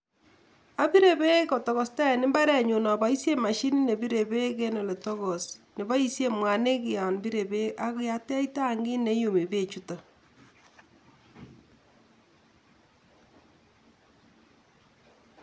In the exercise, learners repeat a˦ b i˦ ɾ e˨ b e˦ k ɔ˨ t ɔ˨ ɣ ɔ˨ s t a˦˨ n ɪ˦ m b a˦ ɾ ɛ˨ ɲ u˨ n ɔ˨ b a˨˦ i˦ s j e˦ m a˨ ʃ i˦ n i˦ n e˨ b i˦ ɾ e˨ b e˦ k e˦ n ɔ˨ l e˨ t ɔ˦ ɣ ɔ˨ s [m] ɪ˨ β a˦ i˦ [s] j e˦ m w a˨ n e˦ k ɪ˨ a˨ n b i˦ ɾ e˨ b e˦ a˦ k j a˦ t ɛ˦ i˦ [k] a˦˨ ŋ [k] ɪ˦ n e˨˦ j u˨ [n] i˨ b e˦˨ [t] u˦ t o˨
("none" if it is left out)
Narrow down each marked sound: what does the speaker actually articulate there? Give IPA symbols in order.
n, s, t, ɡ, m, t͡ʃ

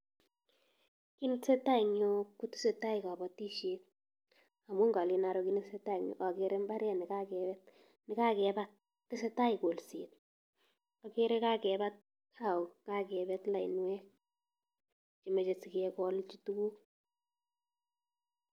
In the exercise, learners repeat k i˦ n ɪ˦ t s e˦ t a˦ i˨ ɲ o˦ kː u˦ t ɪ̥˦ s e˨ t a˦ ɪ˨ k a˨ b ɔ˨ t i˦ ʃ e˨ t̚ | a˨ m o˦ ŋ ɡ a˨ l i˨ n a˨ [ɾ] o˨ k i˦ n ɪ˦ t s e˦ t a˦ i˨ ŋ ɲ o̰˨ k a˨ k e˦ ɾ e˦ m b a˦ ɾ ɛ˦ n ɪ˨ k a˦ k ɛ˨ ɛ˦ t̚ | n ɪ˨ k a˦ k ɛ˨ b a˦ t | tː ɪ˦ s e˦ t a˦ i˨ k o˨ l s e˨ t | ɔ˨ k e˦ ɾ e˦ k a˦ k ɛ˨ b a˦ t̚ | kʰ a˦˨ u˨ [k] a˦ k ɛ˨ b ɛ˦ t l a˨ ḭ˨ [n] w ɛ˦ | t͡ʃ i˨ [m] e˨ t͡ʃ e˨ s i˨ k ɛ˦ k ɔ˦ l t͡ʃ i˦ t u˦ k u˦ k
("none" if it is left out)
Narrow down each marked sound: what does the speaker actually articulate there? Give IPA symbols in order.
ɾ, k, n, m

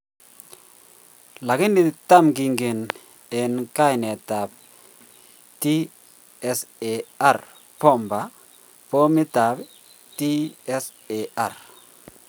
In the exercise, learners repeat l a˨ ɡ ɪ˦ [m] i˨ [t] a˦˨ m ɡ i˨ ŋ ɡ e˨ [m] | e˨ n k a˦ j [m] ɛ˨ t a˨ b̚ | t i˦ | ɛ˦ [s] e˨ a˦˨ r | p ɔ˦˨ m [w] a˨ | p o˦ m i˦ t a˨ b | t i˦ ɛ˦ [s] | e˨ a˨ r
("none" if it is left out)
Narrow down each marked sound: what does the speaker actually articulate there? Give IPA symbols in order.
n, t, n, n, s, b, s

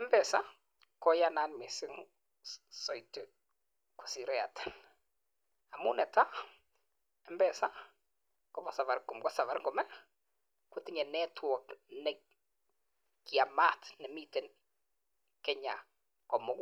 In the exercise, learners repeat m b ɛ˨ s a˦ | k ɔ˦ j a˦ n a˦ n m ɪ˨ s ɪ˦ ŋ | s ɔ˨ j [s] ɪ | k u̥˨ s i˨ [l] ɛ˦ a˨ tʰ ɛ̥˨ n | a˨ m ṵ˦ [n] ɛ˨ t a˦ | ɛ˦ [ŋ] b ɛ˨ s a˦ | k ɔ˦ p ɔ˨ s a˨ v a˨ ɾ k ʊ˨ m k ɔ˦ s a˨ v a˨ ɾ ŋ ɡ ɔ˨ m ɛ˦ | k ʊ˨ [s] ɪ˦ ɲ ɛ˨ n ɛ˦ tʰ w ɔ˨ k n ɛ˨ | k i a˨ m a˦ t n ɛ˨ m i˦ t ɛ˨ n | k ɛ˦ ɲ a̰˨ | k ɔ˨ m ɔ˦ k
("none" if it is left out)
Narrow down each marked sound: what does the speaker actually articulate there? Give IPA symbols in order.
t, ɾ, n, m, t

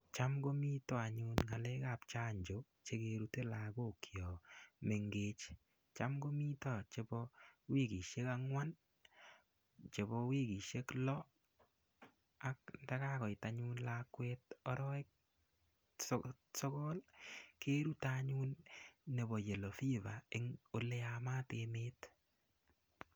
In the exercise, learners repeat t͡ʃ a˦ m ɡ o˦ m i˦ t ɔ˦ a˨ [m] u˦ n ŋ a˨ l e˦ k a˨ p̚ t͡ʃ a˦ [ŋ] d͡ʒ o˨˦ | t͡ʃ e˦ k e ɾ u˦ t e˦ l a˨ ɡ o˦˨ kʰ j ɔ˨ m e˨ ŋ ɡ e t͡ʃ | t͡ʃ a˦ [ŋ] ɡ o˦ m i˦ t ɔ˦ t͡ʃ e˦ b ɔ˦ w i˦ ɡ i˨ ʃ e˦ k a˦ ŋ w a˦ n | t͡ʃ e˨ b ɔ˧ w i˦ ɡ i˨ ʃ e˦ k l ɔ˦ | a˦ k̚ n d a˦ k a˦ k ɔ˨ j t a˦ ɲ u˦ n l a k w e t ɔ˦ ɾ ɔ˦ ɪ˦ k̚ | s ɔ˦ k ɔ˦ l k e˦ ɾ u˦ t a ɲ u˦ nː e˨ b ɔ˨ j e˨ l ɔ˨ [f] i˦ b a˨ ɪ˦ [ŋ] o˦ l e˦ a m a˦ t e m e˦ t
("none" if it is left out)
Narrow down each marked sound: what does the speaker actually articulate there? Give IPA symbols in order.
ɲ, ɲ, m, f, ŋ

